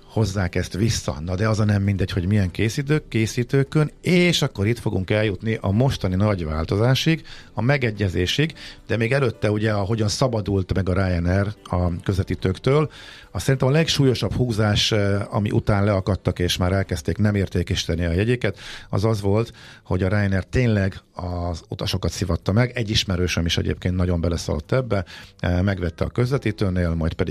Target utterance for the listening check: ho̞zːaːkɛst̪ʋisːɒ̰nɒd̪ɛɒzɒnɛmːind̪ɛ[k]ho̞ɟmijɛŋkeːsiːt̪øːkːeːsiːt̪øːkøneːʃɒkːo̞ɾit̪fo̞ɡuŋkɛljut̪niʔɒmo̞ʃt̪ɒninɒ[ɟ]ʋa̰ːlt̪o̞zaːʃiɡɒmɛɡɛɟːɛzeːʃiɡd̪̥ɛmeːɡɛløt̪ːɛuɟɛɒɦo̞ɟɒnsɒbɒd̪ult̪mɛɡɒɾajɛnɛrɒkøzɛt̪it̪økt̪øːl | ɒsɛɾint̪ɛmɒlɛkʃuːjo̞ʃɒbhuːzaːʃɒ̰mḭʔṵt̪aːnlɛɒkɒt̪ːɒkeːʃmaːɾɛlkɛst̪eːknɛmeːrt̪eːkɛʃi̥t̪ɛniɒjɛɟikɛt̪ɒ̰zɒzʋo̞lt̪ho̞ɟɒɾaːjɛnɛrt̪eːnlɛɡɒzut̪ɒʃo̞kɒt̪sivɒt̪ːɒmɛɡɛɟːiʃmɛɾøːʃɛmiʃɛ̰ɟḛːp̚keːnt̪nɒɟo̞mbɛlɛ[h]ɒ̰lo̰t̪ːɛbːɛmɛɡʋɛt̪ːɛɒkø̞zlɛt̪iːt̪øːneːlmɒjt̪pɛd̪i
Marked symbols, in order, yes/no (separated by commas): no, yes, no